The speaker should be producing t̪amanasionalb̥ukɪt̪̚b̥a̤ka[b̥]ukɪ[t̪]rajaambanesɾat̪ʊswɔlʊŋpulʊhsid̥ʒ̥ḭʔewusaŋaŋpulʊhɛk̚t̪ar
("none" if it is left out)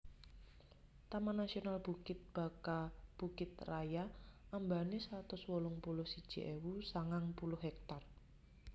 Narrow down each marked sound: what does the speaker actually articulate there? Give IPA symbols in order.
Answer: b̥, t̪

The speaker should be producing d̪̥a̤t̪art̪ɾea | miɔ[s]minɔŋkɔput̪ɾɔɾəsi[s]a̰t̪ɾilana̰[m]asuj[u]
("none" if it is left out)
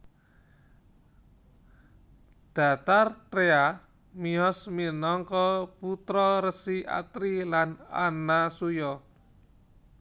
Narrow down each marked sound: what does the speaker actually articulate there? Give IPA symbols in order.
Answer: s, none, n, ɔ

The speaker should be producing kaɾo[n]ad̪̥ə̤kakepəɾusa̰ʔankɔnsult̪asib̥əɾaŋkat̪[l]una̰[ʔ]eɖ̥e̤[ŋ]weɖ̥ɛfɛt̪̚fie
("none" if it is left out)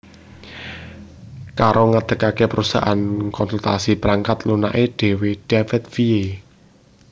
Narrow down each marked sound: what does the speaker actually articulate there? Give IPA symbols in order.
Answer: ŋ, l, ʔ, none

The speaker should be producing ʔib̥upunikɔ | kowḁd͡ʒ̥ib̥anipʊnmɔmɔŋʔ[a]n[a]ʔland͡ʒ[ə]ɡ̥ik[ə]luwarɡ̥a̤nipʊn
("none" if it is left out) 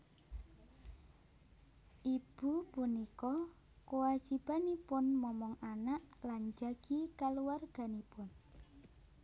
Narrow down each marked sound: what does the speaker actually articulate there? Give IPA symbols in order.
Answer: a, a, a, a

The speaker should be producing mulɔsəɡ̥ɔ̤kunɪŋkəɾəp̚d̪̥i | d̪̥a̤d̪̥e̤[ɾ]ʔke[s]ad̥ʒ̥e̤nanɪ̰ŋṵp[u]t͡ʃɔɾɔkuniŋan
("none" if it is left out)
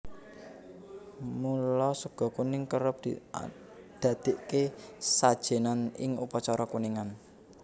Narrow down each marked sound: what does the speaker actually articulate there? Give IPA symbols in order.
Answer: none, s, ɔ

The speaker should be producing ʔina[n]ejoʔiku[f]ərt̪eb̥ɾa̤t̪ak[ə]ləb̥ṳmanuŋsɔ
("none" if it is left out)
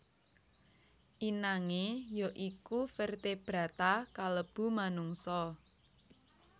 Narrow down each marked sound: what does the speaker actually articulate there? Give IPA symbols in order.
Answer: ŋ, f, a

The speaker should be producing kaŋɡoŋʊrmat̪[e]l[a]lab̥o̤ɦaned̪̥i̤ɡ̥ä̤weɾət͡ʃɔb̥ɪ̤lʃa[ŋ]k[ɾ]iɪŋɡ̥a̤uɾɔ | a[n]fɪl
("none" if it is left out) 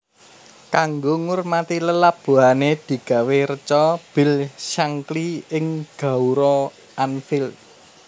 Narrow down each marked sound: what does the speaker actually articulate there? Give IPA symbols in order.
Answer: i, ə, ŋ, l, n

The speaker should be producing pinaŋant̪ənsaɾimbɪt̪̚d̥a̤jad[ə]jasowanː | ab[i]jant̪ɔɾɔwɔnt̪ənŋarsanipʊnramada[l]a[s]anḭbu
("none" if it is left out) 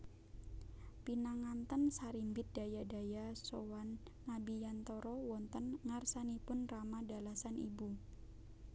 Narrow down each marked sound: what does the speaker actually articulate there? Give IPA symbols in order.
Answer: a, i, l, s

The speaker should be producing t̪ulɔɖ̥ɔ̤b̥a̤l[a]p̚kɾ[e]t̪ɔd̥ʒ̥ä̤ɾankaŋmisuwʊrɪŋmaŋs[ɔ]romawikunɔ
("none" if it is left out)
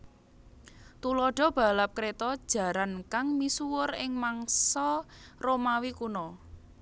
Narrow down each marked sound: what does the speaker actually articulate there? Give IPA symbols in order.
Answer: a, e, ɔ

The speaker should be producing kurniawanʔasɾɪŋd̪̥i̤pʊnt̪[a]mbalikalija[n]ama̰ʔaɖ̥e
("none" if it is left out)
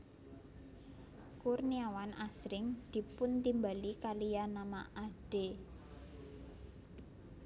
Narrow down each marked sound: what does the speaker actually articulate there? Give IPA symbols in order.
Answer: i, n

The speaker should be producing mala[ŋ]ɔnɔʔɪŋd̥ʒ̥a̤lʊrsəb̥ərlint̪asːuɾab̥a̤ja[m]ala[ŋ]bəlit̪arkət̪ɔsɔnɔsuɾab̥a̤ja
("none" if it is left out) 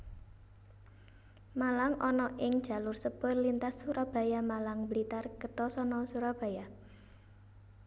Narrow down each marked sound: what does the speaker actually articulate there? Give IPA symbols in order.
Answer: ŋ, m, ŋ

